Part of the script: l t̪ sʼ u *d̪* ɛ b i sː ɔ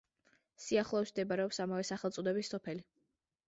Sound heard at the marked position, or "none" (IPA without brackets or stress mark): d̪